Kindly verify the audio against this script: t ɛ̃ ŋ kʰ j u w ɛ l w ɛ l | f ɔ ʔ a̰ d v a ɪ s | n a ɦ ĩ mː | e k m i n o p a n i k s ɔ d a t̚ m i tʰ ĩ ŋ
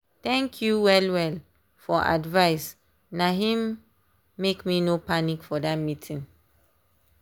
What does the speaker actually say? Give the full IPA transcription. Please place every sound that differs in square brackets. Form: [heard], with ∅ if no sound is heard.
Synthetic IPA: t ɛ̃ ŋ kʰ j u w ɛ l w ɛ l | f ɔ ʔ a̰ d v a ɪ s | n a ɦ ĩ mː | e k m i n o p a n i k [f] ɔ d a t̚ m i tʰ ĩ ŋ